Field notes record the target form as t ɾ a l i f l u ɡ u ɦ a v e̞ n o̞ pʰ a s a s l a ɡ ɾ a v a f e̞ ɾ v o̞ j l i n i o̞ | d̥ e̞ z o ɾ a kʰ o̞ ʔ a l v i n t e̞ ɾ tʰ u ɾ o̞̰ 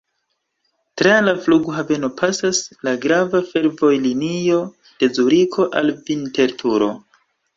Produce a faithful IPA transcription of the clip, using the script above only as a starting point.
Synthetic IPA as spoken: t ɾ a l a f l u ɡ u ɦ a v e̞ n o̞ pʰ a s a s l a ɡ ɾ a v a f e̞ ɾ v o̞ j l i n i o̞ | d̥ e̞ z u ɾ i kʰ o̞ ʔ a l v i n t e̞ ɾ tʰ u ɾ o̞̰